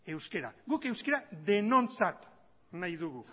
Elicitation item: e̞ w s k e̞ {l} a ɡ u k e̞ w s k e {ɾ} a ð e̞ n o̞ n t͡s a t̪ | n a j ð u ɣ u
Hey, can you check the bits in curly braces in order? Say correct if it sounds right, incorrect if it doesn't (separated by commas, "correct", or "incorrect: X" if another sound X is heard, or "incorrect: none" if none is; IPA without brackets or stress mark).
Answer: incorrect: ɾ, correct